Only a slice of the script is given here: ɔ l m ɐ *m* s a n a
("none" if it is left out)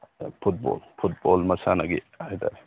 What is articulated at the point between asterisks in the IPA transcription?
none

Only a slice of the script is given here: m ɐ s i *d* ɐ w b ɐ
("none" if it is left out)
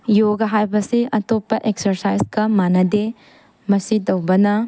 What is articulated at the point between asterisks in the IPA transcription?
d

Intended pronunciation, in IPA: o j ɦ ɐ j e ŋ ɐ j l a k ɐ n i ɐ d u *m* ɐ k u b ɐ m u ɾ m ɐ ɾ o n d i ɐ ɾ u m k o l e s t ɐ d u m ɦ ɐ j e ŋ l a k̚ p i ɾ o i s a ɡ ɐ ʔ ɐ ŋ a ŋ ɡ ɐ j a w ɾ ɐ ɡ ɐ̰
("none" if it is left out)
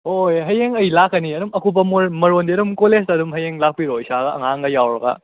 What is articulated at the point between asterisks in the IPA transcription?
m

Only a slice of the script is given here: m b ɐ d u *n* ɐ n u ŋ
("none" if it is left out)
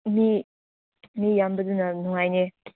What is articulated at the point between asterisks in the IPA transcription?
n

